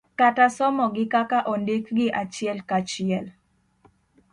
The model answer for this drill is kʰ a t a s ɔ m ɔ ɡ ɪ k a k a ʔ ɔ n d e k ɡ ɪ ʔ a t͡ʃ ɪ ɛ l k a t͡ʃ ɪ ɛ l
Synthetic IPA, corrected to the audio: k a t a s ɔ m ɔ ɡ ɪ k a k a ʔ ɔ n d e k ɡ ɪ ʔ a t͡ʃ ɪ ɛ l k a t͡ʃ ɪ ɛ l